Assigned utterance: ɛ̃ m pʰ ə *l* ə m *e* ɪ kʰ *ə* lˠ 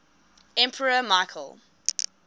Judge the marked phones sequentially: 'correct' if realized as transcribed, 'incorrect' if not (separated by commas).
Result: incorrect, incorrect, correct